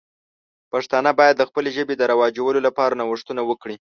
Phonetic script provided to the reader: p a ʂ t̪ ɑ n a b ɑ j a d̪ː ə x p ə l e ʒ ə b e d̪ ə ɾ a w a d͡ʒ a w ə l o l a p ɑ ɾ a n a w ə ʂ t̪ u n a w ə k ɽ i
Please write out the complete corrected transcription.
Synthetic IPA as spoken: p a ʂ t̪ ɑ n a b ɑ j a d̪ː ə x p ə l e ʒ ə b e d̪ ə ɾ a w ɑ d͡ʒ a w ə l o l a p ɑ ɾ a n a w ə ʂ t̪ u n a w ə k ɽ i